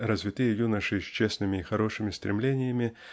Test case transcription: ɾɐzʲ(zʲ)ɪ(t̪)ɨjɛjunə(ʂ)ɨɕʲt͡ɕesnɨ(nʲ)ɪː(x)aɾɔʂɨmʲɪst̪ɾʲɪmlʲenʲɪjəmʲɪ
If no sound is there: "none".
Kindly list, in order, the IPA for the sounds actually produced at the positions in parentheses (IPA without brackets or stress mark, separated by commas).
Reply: vʲ, t̪, ʂ, mʲ, x